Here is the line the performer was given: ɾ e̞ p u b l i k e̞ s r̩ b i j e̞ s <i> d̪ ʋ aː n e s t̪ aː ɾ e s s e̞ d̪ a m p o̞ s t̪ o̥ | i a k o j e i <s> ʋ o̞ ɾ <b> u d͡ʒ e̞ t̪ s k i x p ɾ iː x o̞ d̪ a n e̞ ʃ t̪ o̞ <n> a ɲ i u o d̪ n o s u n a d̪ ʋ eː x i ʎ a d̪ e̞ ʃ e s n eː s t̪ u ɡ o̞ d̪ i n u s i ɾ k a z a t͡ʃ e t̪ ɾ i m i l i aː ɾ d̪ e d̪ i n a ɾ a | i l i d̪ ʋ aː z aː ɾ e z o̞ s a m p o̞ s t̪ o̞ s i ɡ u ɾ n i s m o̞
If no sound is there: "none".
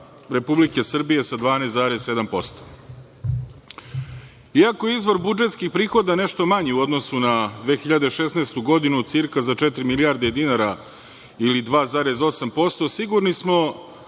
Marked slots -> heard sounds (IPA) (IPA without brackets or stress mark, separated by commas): a, z, b, m